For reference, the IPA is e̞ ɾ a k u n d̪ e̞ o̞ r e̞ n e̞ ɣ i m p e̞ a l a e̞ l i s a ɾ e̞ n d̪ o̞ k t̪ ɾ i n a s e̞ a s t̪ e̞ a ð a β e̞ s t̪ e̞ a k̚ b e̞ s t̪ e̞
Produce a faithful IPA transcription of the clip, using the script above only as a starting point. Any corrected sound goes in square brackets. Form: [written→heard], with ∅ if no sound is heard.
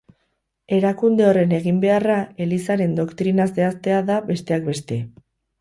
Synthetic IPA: e̞ ɾ a k u n d̪ e̞ o̞ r e̞ n e̞ ɣ i m [p→b] e̞ a [l→r] a e̞ l i s a ɾ e̞ n d̪ o̞ k t̪ ɾ i n a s e̞ a s t̪ e̞ a ð a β e̞ s t̪ e̞ a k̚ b e̞ s t̪ e̞